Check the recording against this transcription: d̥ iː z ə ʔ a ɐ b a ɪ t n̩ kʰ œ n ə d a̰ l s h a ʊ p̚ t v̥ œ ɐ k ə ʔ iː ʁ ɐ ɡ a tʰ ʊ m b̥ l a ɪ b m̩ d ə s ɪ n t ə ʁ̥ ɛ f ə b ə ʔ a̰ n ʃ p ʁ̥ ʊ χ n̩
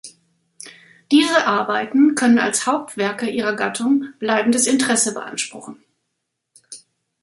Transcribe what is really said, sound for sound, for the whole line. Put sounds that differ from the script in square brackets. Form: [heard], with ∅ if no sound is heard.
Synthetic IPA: d̥ iː z ə ʔ a ɐ b a ɪ t n̩ kʰ œ n ə [n] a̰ l s h a ʊ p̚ t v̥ [ɛ] ɐ k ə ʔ iː ʁ ɐ ɡ a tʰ ʊ [ŋ] b̥ l a ɪ b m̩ d ə s ɪ n t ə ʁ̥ ɛ [s] ə b ə ʔ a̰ n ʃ p ʁ̥ ʊ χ n̩